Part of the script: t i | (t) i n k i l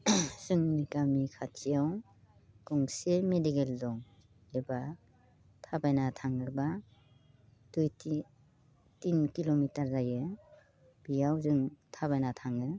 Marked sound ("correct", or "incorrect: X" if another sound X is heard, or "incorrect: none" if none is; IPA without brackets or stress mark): correct